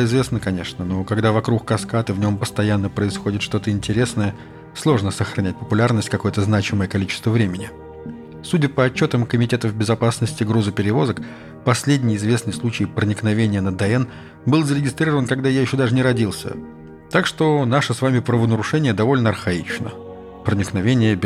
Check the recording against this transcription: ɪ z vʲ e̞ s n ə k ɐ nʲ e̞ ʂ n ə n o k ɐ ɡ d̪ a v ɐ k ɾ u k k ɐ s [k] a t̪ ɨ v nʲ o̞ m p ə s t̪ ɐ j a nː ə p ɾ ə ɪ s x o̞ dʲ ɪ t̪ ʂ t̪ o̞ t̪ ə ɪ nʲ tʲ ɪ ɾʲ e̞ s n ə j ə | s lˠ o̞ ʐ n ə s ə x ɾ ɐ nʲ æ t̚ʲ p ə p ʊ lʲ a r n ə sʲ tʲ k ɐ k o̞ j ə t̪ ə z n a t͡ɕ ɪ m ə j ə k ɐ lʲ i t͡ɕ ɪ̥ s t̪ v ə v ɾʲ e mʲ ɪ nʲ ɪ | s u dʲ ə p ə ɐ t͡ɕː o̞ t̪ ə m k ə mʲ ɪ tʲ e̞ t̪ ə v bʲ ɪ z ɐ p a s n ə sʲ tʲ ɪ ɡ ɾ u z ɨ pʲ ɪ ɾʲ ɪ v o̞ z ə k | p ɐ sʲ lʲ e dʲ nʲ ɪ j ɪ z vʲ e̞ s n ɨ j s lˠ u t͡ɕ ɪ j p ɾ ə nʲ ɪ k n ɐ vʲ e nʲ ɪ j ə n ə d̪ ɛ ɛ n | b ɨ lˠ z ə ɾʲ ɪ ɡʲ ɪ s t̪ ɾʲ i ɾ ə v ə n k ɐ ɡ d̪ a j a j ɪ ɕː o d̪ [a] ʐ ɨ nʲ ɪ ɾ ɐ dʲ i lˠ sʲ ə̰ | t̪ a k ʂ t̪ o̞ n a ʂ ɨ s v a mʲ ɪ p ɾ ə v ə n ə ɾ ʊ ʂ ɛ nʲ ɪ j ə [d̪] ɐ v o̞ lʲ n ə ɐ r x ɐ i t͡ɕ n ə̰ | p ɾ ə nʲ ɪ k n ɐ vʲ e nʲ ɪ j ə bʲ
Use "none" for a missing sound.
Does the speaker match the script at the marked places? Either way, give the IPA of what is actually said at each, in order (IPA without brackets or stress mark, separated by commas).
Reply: k, a, d̪